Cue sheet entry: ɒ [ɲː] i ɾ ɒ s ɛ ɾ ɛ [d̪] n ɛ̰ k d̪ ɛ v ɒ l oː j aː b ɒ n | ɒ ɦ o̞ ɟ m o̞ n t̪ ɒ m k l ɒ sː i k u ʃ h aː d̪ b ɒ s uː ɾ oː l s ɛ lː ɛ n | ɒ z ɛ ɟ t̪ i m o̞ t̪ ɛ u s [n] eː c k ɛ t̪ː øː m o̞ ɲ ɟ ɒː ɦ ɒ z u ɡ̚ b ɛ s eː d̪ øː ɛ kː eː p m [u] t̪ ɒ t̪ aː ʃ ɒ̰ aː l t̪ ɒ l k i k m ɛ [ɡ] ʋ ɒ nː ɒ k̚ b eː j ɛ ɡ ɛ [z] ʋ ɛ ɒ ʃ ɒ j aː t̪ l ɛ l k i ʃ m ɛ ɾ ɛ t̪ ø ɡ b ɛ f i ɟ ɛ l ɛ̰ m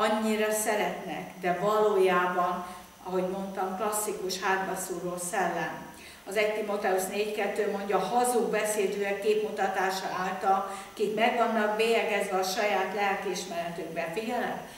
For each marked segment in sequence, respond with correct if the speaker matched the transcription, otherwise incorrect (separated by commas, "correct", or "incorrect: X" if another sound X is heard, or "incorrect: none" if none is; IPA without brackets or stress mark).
correct, incorrect: t̪, correct, correct, correct, correct